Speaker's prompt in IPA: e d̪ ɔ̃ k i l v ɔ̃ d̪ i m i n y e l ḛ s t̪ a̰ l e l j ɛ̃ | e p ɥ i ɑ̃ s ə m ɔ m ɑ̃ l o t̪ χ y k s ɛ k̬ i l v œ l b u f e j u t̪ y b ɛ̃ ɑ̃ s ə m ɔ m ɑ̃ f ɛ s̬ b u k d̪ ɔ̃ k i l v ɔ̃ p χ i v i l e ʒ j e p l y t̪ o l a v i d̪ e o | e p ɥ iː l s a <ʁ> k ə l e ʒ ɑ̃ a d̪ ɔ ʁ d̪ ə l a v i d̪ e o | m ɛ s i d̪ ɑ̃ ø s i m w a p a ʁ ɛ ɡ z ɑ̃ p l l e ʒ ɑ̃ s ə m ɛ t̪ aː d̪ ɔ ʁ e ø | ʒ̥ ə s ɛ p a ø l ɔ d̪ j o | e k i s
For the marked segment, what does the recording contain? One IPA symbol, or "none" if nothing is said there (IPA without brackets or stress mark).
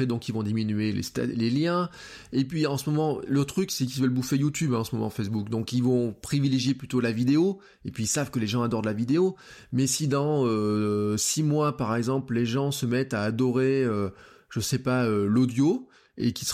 v